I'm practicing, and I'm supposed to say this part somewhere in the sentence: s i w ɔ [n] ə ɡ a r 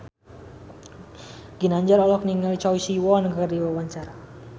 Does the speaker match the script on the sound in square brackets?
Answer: yes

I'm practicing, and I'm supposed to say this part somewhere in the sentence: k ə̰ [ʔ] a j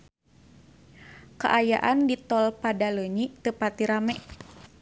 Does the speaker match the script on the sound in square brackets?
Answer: yes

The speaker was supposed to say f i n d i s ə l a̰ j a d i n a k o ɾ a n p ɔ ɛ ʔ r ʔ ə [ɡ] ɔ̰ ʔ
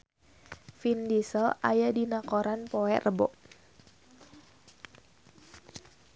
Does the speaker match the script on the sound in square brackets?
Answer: no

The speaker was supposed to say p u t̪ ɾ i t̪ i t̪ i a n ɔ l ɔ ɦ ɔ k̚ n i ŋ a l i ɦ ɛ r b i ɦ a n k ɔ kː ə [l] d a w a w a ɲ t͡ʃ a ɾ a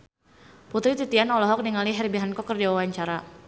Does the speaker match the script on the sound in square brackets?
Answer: no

